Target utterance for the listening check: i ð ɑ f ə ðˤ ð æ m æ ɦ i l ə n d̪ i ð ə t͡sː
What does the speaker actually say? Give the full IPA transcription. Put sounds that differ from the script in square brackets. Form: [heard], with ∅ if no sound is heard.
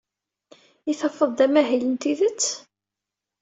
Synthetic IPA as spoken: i [θ] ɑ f ə ðˤ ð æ m æ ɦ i l ə n [t̪] i ð ə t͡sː